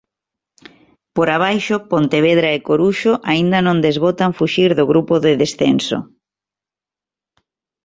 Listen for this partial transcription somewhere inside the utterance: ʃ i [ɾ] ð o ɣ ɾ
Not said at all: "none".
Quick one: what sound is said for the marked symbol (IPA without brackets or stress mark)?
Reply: ɾ